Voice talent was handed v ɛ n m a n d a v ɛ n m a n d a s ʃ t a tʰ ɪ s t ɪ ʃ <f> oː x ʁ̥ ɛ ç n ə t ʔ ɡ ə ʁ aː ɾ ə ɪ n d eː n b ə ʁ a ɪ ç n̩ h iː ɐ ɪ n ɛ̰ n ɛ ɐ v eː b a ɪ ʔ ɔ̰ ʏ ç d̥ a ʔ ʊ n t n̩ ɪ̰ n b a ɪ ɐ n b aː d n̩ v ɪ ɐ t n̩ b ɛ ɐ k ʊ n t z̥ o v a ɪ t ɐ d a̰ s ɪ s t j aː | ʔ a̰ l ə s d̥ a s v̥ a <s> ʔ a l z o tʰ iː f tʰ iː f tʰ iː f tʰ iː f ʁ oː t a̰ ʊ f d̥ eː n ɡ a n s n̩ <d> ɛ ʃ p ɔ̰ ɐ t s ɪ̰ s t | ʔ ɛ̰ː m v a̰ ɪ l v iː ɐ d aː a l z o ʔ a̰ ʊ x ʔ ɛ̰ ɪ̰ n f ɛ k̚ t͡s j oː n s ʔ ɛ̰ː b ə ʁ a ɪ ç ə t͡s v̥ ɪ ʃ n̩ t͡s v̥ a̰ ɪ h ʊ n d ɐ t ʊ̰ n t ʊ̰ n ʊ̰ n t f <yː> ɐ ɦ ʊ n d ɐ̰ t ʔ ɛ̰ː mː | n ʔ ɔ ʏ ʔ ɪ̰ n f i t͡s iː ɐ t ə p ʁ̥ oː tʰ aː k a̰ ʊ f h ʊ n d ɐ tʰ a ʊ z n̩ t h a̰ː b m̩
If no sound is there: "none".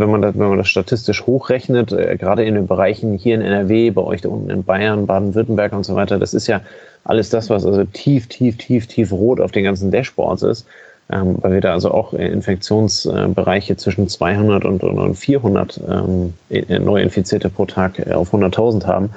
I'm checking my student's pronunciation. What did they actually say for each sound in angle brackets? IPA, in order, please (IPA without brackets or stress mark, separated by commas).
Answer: h, s, d, iː